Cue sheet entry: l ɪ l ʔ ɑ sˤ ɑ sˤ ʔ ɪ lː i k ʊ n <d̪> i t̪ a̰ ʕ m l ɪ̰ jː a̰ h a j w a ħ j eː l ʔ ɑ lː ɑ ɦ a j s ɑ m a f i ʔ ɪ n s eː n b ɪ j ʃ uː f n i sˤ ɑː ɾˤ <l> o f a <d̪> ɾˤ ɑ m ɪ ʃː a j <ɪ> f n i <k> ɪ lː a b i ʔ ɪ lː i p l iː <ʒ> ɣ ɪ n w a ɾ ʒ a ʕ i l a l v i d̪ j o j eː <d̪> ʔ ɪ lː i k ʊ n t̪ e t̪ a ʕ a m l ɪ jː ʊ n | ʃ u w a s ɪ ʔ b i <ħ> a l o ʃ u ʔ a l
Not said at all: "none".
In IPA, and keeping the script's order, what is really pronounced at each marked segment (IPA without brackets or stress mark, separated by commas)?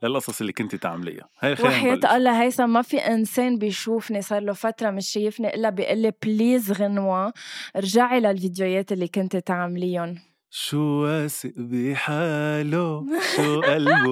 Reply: t̪, l, t̪, ɪ, ʔ, z, t̪, ħ